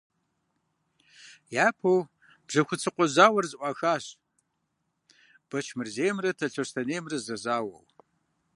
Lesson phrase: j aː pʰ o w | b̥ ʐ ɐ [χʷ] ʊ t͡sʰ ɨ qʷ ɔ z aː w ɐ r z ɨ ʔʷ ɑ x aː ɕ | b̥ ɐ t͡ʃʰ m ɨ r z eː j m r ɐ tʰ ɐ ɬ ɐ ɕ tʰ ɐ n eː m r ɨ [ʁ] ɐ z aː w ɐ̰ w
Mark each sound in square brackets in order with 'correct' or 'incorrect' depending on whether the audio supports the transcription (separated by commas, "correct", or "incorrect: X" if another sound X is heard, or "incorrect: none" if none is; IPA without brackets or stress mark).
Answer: incorrect: xʷ, incorrect: z